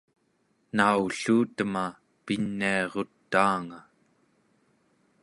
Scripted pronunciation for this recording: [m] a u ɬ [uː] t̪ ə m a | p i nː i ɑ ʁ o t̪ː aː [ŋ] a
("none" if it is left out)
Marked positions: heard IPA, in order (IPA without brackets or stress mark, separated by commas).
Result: n, uː, ŋ